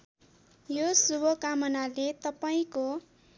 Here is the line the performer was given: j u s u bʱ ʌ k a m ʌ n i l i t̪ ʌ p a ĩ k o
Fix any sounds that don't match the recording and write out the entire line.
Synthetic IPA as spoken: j o s u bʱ ʌ k a m ʌ n a l e t̪ ʌ p a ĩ k o

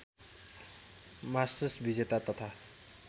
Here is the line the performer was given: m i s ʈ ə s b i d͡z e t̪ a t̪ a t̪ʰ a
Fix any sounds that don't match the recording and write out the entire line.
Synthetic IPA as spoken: m a s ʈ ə s b i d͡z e t̪ a t̪ ʌ t̪ʰ a

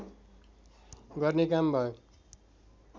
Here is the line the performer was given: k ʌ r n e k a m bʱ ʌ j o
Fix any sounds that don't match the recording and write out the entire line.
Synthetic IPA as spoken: ɡ ʌ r n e k a m bʱ ʌ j o

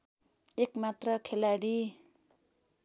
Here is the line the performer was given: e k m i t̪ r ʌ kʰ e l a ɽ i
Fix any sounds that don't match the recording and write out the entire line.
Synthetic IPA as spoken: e k m a t̪ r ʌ kʰ e l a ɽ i

